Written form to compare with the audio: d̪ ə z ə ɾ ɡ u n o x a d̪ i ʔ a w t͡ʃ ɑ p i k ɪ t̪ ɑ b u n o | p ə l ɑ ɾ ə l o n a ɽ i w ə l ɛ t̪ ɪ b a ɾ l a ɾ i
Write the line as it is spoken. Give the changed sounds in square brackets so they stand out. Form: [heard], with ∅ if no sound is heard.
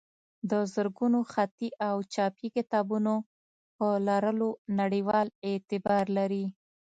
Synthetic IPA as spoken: d̪ ə z ə ɾ ɡ u n o x a [t̪] i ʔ a w t͡ʃ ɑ p i k ɪ t̪ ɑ b u n o | p ə l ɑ ɾ ə l o n a ɽ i w [ɑ] l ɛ t̪ ɪ b [ɑ] ɾ l a ɾ i